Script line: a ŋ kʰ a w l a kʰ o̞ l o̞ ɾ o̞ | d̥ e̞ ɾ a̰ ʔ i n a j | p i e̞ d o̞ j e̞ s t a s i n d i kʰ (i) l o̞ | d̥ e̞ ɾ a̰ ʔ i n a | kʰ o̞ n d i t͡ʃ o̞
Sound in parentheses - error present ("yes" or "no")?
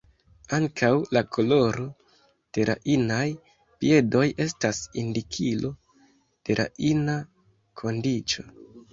no